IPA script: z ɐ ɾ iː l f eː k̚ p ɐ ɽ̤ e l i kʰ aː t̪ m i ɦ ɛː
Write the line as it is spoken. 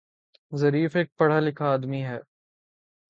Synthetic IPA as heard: z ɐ ɾ iː f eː k̚ p ɐ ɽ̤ a l ɪ kʰ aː d̪ m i ɦ ɛː

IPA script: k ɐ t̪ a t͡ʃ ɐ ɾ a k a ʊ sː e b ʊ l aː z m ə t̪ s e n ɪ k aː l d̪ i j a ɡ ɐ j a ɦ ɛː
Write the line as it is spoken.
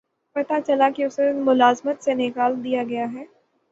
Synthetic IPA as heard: p ɐ t̪ a t͡ʃ ɐ l a k i ʊ s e m ʊ l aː z m ə t̪ s e n ɪ k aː l d̪ i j a ɡ ɐ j a ɦ ɛː

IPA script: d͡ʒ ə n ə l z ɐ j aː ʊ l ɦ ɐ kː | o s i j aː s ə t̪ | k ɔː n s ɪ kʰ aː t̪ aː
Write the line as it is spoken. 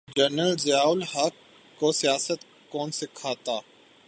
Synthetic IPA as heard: d͡ʒ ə n ə l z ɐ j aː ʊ l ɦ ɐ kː | o s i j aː s ə t̪ | k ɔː n s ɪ kʰ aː t̪ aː

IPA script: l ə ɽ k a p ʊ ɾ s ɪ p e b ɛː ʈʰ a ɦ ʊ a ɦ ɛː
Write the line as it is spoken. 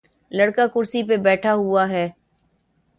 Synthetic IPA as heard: l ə ɽ k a k ʊ ɾ s i p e b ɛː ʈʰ a ɦ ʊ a ɦ ɛː

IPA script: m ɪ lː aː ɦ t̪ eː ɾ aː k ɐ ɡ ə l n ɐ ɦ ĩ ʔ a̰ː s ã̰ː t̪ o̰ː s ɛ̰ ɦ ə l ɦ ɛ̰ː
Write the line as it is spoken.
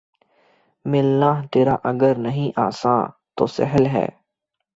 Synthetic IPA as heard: m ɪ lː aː ɦ t̪ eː ɾ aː ʔ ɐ ɡ ə ɾ n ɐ ɦ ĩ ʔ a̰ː s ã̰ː t̪ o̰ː s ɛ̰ ɦ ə l ɦ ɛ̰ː

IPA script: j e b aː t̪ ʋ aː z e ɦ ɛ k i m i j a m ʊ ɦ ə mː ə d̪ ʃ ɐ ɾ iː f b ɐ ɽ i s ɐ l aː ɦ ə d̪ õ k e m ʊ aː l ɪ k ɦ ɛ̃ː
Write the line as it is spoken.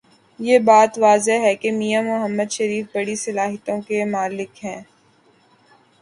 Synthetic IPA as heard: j e b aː t̪ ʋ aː z e ɦ ɛ k e m i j a m ʊ ɦ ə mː ə d̪ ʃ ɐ ɾ iː f b ɐ ɽ i s ɐ l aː ɦ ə t̪ õ k e m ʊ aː l ɪ k ɦ ɛ̃ː

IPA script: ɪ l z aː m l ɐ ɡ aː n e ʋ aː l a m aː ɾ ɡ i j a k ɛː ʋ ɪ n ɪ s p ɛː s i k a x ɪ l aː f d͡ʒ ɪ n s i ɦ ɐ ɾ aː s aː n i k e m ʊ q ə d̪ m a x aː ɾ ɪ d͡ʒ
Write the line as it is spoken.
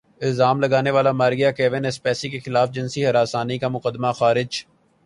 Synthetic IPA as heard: ɪ l z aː m l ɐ ɡ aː n e ʋ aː l a m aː ɾ ɡ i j a k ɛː ʋ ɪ n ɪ s p ɛː s i k e x ɪ l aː f d͡ʒ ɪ n s i ɦ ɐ ɾ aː s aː n i k a m ʊ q ə d̪ m a x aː ɾ ɪ d͡ʒ

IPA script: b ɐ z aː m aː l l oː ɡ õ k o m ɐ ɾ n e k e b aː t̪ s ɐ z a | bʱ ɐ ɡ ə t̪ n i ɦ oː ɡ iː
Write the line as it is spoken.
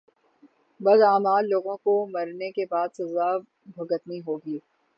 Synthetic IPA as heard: b ɐ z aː m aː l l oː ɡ õ k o m ɐ ɾ n e k e b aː d̪ s ɐ z a | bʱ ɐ ɡ ə t̪ n i ɦ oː ɡ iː

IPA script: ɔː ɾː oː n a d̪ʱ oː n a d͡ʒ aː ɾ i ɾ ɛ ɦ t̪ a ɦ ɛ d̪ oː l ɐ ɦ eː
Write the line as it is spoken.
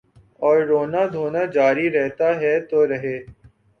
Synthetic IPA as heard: ɔː ɾː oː n a d̪ʱ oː n a d͡ʒ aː ɾ i ɾ ɛ ɦ t̪ a ɦ ɛ t̪ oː ɾ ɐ ɦ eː

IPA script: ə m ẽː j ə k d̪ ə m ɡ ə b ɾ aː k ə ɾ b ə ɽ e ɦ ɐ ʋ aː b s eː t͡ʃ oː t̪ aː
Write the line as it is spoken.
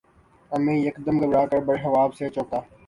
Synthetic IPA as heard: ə m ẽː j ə k d̪ ə m ɡ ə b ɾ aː k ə ɾ b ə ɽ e ɦ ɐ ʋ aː b s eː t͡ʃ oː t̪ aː

